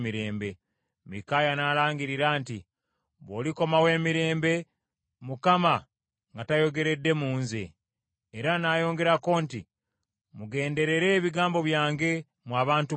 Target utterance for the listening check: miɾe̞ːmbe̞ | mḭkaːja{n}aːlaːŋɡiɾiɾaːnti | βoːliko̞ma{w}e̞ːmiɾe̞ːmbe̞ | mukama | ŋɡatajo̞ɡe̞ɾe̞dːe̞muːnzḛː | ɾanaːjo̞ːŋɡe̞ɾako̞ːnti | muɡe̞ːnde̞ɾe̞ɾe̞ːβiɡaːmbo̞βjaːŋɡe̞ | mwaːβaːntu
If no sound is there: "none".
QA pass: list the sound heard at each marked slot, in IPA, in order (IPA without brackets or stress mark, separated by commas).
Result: n, w